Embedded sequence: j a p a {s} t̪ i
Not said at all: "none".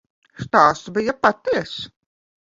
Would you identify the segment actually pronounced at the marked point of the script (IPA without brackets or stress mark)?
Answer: none